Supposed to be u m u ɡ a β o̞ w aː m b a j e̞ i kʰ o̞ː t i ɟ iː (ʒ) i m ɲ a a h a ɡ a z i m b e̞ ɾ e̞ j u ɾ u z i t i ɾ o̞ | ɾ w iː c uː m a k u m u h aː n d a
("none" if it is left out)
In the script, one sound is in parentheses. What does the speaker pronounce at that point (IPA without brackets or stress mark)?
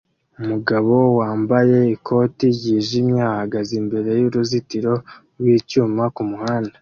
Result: ʒ